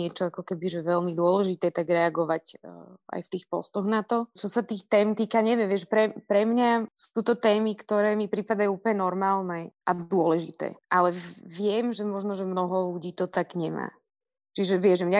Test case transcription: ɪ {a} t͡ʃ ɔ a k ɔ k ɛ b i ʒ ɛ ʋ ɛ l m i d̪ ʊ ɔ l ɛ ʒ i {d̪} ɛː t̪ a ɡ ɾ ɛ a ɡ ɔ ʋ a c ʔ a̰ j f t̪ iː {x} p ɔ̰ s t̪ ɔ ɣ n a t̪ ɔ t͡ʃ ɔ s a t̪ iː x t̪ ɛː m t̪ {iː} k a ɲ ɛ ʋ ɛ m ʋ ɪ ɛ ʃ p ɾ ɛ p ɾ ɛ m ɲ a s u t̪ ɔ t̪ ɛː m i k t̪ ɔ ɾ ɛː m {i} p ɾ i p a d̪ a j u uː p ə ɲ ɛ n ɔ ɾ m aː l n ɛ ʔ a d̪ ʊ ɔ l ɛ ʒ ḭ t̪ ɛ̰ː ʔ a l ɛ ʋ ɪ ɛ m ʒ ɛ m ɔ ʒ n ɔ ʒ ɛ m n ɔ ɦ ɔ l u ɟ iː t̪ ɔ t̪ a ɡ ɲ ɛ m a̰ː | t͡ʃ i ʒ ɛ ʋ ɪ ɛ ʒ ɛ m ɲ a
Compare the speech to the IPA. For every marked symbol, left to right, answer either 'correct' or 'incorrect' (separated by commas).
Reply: incorrect, incorrect, correct, correct, correct